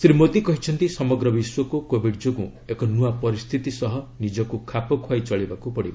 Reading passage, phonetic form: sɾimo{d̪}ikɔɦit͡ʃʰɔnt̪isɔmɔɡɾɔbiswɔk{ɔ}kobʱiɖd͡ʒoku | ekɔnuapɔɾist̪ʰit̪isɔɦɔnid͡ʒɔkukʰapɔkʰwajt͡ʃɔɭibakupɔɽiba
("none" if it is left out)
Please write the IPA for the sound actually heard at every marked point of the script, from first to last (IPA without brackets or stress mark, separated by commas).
t̪, u